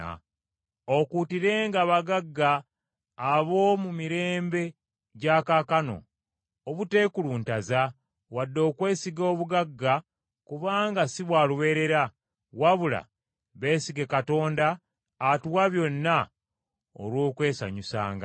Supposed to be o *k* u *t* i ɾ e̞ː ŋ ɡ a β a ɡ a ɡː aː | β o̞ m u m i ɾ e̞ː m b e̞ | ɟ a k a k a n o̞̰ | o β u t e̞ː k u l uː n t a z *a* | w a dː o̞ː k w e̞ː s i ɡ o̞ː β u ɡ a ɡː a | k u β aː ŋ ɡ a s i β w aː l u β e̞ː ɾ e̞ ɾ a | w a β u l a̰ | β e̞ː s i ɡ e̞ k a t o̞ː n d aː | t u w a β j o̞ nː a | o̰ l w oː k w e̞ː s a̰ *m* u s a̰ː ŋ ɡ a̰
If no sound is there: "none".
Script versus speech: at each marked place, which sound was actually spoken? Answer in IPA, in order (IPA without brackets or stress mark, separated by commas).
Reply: k, t, a, ɲ